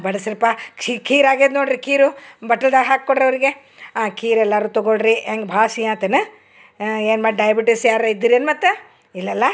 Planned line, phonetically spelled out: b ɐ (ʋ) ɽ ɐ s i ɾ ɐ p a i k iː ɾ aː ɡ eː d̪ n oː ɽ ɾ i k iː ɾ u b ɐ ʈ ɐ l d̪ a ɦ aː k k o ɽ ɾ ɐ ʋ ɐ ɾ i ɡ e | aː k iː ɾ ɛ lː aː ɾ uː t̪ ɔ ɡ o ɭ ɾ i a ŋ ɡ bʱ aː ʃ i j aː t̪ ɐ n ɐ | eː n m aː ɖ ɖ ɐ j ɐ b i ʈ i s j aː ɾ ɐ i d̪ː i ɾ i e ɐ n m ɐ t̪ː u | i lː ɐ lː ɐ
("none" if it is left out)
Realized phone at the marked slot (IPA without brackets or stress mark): none